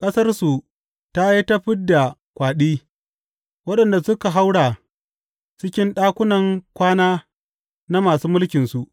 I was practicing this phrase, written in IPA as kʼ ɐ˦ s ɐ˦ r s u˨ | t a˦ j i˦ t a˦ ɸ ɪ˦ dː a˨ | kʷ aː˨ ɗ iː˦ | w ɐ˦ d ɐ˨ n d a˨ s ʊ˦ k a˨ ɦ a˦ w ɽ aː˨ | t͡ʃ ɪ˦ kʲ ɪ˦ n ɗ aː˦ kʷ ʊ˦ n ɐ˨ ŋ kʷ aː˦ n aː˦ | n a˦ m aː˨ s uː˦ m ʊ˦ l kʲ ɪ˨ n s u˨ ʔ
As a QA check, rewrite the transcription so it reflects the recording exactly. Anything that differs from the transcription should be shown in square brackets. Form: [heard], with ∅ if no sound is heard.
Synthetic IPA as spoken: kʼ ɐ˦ s ɐ˦ r s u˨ | t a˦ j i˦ t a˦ ɸ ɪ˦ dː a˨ | kʷ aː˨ ɗ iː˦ | w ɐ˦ [ɗ] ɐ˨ n d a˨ s ʊ˦ k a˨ ɦ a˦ w ɽ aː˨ | t͡ʃ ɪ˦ kʲ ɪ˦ n ɗ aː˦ kʷ ʊ˦ n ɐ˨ ŋ kʷ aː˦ n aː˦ | n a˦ m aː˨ s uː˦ m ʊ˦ l kʲ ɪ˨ n s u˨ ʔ